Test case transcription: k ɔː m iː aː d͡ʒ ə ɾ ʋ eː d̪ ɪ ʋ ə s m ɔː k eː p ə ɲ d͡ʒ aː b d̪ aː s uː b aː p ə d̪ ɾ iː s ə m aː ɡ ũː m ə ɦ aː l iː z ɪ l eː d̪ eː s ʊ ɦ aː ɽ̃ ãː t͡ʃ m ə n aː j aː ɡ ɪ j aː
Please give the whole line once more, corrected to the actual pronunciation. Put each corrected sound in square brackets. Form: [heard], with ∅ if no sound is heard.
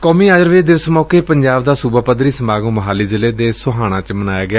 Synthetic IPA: k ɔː m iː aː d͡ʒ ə ɾ ʋ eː d̪ ɪ ʋ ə s m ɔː k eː p ə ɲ d͡ʒ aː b d̪ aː s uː b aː p ə d̪ ɾ iː s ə m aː ɡ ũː m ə ɦ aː l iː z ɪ l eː d̪ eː s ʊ ɦ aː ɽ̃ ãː t͡ʃ m ə n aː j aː ɡ ɪ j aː